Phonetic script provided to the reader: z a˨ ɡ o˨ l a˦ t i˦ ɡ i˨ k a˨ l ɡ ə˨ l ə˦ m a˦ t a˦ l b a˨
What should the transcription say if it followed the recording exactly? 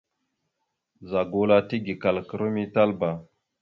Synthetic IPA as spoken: z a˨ ɡ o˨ l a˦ t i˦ ɡ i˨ k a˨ l k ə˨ ɾ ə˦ m i˦ t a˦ l b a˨